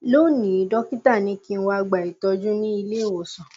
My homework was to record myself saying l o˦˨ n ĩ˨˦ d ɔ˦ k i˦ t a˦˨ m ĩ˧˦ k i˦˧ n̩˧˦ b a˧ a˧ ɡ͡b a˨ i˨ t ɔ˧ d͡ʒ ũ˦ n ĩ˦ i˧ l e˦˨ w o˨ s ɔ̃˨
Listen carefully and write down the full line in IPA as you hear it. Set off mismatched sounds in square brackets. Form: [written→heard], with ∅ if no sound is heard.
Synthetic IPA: l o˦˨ n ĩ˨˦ d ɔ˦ k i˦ t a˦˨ [m→n] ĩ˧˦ k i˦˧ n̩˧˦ [b→w] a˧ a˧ ɡ͡b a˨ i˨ t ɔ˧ d͡ʒ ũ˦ n ĩ˦ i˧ l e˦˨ w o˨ s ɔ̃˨